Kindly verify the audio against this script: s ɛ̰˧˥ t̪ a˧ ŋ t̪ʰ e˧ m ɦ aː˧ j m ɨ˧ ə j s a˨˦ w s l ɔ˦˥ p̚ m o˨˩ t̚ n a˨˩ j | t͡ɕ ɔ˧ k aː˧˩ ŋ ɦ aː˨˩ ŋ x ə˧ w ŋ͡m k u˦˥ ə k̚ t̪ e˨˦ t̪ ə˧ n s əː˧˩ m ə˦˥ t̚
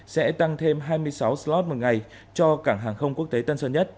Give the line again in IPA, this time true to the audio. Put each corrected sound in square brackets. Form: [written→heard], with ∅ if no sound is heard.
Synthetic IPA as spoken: s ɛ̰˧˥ t̪ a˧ ŋ t̪ʰ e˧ m ɦ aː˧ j m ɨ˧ ə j s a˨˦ w s l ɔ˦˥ [p̚→t̚] m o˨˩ t̚ [n→ŋ] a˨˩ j | t͡ɕ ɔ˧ k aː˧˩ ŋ ɦ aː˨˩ ŋ x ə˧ w ŋ͡m k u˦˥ ə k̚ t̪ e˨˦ t̪ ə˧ n s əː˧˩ [m→ɲ] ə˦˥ t̚